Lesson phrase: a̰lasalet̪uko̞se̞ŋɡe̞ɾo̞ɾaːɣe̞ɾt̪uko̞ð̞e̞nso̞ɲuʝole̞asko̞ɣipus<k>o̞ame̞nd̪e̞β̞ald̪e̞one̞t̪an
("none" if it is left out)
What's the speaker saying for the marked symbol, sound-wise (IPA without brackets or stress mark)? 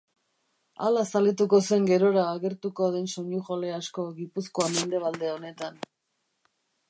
k